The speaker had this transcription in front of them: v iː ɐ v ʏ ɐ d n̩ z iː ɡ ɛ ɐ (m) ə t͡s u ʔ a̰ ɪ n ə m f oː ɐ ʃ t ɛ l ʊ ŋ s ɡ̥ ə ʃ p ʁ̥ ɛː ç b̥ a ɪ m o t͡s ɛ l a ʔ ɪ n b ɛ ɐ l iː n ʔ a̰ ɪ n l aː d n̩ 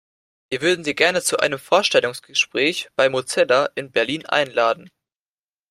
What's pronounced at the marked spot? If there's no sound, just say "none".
n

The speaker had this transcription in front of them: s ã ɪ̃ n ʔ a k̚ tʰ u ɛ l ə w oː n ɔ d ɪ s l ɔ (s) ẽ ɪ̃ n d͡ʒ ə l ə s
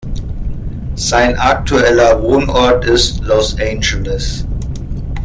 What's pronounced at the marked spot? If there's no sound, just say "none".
s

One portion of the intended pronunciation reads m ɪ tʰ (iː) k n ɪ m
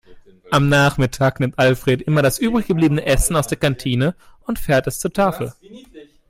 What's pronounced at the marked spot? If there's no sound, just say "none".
aː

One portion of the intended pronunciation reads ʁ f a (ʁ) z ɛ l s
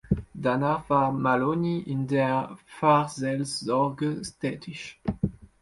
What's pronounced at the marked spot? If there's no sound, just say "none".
ʁ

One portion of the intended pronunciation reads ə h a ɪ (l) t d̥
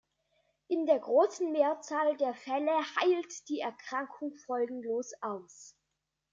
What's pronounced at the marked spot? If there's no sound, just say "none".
l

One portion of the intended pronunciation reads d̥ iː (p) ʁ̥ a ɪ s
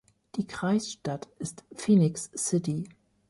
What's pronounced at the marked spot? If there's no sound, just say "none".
k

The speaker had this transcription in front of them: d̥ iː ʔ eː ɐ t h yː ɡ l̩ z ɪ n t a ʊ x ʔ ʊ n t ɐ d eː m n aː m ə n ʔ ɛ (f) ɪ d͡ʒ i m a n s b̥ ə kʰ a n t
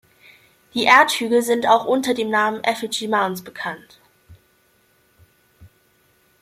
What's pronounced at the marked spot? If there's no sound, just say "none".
f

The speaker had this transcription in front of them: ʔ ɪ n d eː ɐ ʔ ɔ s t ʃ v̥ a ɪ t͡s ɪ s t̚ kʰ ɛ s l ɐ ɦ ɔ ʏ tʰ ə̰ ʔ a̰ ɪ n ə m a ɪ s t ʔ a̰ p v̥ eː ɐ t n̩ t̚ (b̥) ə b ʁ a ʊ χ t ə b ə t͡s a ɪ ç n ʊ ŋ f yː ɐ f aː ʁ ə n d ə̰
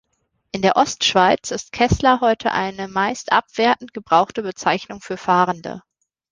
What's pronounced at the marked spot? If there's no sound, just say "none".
ɡ̥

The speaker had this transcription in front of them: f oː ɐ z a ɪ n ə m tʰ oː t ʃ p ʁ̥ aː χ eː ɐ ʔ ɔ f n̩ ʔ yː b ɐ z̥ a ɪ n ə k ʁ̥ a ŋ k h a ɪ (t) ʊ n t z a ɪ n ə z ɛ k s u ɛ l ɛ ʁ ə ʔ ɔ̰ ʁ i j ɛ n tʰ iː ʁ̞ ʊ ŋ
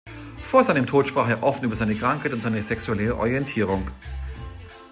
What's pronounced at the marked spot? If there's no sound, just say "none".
t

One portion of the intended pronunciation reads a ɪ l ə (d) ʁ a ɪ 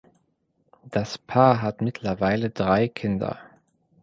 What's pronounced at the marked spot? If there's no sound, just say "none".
d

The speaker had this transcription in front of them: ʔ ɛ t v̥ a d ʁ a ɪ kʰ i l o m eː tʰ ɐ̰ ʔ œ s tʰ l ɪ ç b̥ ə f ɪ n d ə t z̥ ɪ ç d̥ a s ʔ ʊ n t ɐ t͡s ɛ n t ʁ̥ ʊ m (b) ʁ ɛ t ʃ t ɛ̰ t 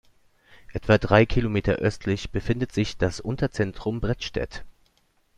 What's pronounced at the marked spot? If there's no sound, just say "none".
b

